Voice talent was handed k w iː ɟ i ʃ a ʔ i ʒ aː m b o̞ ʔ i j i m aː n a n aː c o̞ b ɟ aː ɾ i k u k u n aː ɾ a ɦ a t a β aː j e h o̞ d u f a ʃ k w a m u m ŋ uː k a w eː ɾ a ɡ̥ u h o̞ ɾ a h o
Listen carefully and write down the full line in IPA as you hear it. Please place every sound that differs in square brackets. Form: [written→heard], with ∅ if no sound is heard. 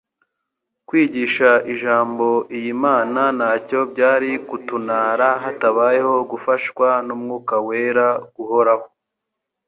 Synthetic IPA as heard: k w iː ɟ i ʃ a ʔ i ʒ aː m b o̞ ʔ i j i m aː n a n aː c o̞ b ɟ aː ɾ i k u [k→t] u n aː ɾ a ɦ a t a β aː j e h o̞ [d→ɡ] u f a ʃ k w a [m→n] u m ŋ uː k a w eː ɾ a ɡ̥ u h o̞ ɾ a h o